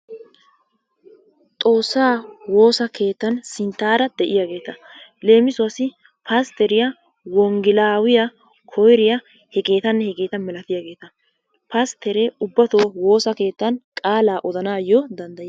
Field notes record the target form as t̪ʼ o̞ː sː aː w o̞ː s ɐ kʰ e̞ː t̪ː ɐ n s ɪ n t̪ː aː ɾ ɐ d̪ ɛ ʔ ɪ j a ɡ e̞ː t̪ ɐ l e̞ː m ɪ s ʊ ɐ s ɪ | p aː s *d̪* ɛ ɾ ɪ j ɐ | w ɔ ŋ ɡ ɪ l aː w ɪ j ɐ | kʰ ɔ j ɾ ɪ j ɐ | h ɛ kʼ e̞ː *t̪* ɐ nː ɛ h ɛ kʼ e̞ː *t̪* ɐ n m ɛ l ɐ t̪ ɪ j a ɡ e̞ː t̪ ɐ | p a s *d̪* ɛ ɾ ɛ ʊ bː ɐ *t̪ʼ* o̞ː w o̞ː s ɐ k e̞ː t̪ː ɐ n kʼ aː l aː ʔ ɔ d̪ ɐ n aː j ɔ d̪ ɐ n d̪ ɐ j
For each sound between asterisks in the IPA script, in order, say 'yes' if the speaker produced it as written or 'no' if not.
no, yes, yes, no, no

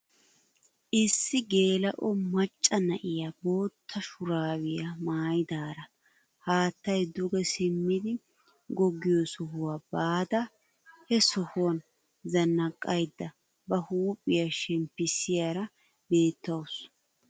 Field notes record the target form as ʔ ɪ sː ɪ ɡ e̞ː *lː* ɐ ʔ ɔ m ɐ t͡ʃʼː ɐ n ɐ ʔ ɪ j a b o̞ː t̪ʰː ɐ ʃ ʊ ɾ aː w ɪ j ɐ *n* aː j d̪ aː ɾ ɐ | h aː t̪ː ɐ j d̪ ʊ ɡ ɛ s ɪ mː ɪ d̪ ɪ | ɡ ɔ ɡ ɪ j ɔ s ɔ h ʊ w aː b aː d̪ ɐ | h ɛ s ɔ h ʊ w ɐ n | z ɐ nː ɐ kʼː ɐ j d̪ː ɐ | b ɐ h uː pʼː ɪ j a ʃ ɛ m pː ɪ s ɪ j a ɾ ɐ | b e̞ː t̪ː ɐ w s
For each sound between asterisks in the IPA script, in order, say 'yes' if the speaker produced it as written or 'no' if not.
no, no

